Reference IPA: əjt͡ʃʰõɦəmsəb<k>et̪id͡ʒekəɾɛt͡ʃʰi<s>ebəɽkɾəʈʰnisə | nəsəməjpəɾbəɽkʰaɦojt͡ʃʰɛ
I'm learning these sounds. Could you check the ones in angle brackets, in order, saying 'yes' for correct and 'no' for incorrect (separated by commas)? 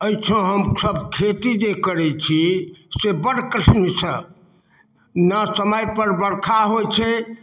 no, yes